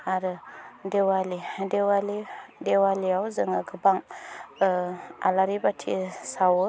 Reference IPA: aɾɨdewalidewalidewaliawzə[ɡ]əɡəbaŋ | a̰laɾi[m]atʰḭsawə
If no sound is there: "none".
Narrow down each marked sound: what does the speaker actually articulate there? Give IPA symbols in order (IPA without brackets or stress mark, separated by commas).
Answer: ŋ, b